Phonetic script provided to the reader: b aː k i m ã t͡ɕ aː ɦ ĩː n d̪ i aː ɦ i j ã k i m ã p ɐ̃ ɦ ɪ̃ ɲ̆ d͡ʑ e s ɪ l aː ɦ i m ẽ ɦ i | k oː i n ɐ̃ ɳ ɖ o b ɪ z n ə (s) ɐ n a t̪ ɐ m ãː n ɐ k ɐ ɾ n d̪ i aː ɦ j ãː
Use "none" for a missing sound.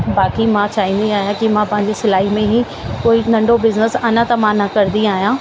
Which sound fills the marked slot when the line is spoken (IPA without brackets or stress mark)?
s